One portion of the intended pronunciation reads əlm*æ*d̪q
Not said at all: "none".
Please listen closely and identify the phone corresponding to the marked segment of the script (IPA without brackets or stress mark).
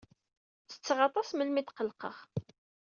i